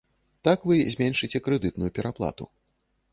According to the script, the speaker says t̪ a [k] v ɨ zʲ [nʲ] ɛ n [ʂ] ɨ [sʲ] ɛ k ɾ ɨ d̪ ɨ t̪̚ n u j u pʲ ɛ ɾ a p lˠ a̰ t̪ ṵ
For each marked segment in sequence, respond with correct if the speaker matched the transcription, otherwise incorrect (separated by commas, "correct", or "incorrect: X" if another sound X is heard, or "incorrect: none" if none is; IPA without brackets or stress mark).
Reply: correct, incorrect: mʲ, correct, incorrect: t͡sʲ